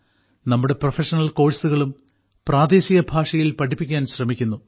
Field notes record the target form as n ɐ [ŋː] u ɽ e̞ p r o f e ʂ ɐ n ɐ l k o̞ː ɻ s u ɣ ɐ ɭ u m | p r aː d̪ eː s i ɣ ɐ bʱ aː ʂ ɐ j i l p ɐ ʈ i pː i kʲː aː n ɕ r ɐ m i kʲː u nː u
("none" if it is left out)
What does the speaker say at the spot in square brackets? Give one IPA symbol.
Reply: mː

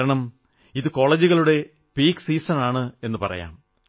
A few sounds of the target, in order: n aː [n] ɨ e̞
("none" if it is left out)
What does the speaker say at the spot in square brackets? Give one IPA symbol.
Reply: ɳ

